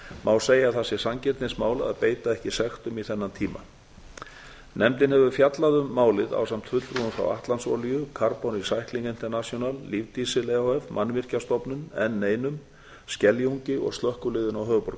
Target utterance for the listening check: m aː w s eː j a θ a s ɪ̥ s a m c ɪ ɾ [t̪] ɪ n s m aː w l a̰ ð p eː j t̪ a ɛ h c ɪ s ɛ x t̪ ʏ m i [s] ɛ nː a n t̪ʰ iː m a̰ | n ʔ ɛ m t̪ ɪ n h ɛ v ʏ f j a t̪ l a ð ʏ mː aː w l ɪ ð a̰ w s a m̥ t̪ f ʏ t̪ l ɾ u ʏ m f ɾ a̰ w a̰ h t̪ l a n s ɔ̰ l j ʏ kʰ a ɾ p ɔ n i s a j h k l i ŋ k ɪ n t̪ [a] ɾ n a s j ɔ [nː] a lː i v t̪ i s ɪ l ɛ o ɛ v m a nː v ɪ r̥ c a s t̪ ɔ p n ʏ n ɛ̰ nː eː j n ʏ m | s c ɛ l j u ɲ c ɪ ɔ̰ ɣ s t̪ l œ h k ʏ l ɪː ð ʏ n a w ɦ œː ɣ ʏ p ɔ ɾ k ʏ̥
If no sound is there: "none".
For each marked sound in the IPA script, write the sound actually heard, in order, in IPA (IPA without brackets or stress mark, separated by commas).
t̪, θ, ɛ, n